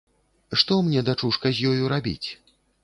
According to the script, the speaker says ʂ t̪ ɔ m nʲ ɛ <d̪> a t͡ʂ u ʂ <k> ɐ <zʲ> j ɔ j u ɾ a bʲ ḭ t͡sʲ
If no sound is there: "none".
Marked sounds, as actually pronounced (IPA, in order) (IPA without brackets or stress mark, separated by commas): d̪, k, zʲ